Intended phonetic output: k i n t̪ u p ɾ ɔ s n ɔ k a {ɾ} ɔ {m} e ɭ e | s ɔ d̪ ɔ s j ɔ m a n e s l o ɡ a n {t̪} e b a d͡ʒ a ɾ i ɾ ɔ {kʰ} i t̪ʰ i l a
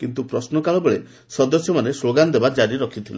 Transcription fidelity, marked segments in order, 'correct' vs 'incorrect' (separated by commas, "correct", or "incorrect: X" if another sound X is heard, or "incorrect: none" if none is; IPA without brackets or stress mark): incorrect: ɭ, incorrect: b, incorrect: d̪, correct